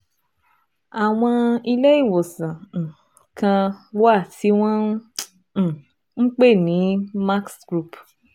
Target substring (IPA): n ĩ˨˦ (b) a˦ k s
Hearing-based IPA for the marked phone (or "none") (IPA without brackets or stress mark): m